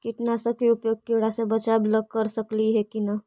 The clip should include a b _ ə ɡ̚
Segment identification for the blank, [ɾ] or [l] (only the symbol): l